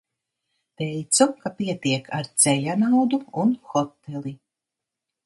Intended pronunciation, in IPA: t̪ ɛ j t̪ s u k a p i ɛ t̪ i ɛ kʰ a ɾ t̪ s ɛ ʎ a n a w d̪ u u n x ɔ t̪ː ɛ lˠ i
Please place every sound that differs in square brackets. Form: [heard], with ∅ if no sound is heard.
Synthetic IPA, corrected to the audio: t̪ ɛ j t̪ s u k a p i ɛ t̪ i ɛ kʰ a ɾ t̪ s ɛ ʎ a n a w d̪ u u n x ɔ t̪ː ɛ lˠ i